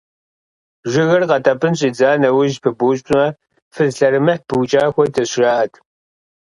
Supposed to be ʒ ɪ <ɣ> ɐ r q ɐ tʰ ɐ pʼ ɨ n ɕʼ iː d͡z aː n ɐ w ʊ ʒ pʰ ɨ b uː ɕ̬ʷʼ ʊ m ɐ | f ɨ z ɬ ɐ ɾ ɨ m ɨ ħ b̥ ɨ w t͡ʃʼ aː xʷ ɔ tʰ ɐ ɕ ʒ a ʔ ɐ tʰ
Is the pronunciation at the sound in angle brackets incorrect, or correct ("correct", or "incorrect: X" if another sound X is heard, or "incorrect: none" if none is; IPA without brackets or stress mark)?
correct